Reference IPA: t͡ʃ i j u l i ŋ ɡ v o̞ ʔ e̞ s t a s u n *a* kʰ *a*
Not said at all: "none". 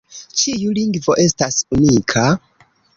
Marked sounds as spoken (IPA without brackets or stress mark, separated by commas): i, a